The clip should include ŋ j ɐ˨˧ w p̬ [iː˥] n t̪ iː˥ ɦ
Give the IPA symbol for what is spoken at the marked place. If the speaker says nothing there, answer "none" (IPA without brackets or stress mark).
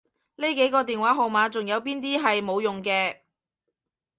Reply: iː˥